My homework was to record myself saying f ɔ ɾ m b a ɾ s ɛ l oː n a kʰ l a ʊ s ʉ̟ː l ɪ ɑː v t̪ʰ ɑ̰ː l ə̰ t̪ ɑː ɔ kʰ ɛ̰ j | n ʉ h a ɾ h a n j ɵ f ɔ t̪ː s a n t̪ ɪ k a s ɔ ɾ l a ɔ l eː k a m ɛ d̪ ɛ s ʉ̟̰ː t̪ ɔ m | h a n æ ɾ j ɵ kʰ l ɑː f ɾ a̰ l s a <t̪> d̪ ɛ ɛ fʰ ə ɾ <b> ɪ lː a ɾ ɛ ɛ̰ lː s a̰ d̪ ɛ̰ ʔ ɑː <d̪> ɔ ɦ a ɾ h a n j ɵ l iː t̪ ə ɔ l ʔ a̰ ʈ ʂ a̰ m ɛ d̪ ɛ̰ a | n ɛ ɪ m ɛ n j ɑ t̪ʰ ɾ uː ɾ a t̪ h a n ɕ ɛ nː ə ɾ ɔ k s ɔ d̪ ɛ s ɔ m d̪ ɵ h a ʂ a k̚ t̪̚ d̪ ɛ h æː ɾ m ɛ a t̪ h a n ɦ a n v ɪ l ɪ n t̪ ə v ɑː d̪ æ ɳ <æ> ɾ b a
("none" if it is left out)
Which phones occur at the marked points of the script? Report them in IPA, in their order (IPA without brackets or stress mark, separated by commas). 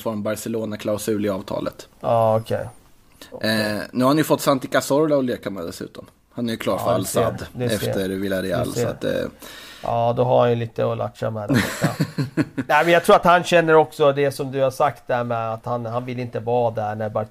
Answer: d̪, v, d̪, æ